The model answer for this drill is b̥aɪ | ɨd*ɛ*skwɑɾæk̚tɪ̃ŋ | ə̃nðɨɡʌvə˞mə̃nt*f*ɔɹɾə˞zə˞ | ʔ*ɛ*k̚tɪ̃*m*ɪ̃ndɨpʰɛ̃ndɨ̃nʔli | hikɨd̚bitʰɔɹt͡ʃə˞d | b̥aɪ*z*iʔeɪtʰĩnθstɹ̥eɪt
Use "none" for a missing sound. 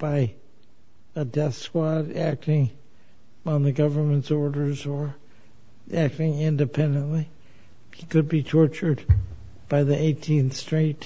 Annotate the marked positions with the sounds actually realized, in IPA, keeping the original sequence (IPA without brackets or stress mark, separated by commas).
ɛ, s, æ, ŋ, ð